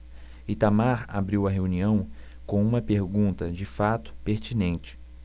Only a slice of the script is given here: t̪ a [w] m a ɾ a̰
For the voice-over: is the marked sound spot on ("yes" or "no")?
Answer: no